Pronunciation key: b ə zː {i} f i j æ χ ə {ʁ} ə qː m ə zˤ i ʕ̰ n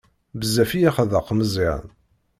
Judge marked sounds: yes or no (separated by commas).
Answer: no, no